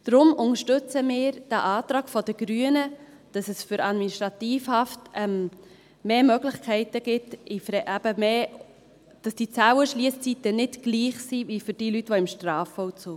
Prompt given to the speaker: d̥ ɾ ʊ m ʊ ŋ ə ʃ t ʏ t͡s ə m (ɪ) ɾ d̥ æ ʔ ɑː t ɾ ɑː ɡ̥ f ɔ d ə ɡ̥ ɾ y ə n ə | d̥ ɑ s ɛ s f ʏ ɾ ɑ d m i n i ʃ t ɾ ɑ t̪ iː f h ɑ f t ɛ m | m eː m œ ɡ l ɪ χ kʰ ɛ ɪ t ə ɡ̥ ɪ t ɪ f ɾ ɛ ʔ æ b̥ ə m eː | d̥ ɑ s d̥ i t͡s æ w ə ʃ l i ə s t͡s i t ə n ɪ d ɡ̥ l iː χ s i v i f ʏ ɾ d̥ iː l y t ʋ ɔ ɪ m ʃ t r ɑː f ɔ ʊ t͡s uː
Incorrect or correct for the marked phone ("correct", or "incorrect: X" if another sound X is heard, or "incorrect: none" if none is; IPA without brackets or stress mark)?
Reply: incorrect: ɪː